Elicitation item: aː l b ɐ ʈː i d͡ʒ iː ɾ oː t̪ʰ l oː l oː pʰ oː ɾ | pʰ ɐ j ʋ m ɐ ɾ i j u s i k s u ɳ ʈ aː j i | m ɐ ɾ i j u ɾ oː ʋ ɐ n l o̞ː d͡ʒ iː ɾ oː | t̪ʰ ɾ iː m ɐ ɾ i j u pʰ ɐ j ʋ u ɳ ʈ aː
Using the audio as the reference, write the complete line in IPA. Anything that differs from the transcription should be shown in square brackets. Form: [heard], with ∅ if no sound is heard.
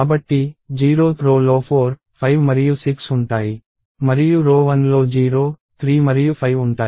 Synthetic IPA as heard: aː [∅] b ɐ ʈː i d͡ʒ iː ɾ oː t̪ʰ [ɾ] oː l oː pʰ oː ɾ | pʰ ɐ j ʋ m ɐ ɾ i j u s i k s u ɳ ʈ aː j i | m ɐ ɾ i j u ɾ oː ʋ ɐ n l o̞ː d͡ʒ iː ɾ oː | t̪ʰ ɾ iː m ɐ ɾ i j u pʰ ɐ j ʋ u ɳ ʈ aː